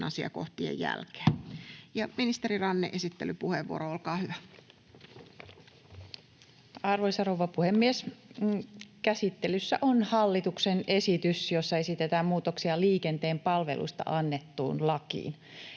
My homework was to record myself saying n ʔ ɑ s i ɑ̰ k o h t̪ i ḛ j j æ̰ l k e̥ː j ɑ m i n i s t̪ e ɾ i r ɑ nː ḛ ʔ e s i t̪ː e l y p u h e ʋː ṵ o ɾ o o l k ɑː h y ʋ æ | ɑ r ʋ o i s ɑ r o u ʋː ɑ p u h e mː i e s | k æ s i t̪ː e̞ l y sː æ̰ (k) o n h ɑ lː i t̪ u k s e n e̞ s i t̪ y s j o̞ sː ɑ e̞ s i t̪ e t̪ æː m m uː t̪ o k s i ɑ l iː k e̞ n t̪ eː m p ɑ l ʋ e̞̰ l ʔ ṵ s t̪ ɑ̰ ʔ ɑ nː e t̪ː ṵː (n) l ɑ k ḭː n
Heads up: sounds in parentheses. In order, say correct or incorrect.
incorrect, correct

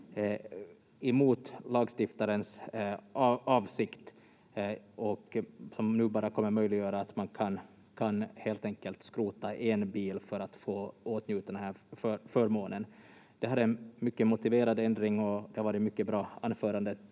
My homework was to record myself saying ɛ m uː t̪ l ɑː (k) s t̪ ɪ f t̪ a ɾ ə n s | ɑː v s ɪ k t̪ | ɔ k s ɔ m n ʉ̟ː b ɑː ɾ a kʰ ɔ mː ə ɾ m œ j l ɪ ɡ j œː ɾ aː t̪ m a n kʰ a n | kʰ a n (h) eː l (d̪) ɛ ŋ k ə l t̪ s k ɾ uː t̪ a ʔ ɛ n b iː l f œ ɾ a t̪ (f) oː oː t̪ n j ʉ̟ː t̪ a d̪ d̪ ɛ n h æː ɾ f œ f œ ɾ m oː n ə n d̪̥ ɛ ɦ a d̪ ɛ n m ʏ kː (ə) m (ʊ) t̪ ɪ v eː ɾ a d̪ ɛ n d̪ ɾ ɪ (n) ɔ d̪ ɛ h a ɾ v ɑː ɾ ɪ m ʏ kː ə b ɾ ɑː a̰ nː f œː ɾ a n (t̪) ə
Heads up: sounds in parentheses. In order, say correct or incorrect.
incorrect, correct, incorrect, correct, correct, correct, incorrect, incorrect

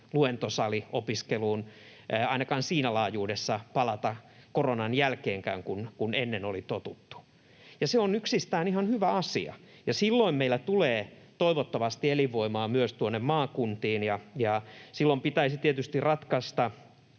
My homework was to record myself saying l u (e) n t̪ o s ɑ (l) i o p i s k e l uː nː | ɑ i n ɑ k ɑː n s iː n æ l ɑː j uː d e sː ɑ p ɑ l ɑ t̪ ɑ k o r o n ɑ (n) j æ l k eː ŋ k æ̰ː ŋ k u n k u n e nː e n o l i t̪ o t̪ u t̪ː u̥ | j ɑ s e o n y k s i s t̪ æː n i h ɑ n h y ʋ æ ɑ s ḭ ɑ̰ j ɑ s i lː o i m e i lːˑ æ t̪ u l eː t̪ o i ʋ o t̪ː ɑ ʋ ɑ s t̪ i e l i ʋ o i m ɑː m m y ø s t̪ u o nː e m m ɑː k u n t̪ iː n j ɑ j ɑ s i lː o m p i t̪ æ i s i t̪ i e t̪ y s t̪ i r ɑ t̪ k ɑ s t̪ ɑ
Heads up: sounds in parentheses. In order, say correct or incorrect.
correct, correct, correct

